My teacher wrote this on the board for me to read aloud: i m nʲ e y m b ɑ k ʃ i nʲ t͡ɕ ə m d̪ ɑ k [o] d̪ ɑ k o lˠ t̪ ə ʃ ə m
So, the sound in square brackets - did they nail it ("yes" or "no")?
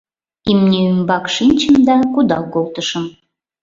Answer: no